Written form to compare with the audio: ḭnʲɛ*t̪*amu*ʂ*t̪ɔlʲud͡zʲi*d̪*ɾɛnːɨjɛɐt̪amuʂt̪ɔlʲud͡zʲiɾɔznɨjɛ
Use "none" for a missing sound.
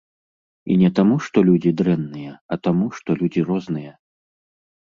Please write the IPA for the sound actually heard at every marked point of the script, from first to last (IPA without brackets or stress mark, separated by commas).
t̪, ʂ, d̪